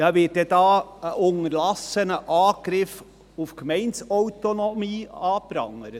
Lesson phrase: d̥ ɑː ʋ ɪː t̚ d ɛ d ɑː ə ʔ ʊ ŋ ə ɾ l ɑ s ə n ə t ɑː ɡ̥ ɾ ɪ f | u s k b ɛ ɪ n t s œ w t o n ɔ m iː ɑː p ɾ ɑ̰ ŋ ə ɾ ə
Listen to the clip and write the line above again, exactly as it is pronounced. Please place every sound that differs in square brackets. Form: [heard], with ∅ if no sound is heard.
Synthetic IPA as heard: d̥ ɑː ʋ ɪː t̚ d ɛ d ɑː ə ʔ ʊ ŋ ə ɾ l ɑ s ə n ə [ʔ] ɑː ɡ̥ ɾ ɪ f | u [f] k [m] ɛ ɪ n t s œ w t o n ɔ m iː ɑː p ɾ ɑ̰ ŋ ə ɾ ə